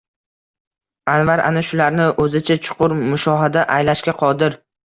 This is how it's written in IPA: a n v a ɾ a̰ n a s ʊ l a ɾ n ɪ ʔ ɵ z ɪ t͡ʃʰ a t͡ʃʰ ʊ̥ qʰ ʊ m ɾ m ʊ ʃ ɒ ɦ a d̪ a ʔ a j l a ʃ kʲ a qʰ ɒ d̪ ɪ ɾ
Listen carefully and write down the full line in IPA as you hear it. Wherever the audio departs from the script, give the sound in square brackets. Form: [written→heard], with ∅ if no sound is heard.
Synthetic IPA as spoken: a n v a ɾ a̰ n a [s→ʃ] ʊ l a ɾ n ɪ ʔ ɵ z ɪ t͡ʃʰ a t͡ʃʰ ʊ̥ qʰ ʊ [m→∅] ɾ m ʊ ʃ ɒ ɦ a d̪ a ʔ a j l a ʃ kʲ a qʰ ɒ d̪ ɪ ɾ